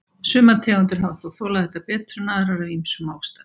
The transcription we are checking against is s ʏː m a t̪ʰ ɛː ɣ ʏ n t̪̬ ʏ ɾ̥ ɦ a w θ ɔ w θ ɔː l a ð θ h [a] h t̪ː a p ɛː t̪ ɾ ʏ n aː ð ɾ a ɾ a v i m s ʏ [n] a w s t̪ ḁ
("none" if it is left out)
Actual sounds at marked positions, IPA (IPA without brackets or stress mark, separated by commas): ɛ, m